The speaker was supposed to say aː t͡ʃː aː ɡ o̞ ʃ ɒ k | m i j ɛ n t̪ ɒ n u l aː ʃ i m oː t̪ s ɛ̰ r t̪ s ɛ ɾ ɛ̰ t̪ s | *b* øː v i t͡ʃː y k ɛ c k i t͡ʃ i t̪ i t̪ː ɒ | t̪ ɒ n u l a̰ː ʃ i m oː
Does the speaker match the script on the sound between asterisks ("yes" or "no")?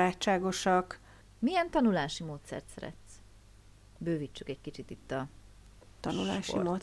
yes